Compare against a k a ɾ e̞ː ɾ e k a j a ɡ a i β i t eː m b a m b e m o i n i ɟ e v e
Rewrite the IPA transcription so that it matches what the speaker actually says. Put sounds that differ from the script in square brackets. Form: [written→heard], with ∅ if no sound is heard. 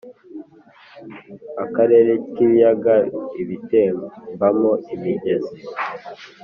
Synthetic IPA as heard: a k a ɾ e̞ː ɾ e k [a→i] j a ɡ a i β i t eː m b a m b [e→a] m o i [n→m] i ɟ e [v→z] e